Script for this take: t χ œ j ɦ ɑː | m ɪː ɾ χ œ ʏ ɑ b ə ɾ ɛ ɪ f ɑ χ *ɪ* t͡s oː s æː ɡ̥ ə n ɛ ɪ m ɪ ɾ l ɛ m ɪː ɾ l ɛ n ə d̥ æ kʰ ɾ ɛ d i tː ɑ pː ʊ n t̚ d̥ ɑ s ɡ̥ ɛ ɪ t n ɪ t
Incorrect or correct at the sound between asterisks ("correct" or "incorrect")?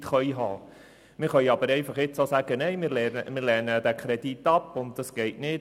correct